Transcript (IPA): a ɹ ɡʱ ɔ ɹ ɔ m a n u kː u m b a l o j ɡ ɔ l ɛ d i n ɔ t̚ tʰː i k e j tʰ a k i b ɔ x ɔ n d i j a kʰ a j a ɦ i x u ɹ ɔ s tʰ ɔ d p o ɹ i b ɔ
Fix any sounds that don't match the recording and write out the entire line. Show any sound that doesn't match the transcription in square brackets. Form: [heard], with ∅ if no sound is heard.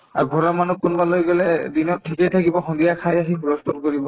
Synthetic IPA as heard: a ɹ ɡʱ ɔ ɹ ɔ m a n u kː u [n] b a l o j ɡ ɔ l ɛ d i n ɔ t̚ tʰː i k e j tʰ a k i b ɔ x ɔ n d i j a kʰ a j a ɦ i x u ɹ ɔ s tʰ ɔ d [k] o ɹ i b ɔ